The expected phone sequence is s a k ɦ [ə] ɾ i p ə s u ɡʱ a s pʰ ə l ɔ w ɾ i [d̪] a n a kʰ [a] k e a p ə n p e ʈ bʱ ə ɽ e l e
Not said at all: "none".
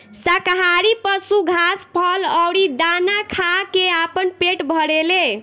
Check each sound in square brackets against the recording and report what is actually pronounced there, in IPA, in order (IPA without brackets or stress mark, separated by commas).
a, d̪, a